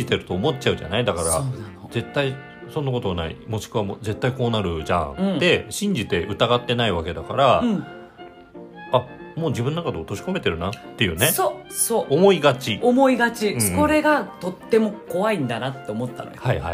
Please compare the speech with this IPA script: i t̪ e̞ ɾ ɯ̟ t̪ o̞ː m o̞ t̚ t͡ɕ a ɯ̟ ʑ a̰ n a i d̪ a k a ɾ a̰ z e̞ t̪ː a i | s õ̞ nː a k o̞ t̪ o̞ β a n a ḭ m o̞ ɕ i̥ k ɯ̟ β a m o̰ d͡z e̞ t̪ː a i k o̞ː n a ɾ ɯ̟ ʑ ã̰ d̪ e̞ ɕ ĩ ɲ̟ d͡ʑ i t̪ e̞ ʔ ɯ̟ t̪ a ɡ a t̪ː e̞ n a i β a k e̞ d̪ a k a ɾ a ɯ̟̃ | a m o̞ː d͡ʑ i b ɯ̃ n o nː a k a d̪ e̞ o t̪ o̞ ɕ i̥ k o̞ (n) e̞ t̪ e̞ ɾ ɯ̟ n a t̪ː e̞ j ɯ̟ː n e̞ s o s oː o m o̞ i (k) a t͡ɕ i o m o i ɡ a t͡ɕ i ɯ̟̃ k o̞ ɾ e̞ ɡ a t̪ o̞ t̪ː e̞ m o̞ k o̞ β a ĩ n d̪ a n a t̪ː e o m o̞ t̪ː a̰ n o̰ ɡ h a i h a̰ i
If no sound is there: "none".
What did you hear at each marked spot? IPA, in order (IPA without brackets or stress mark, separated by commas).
m, ɡ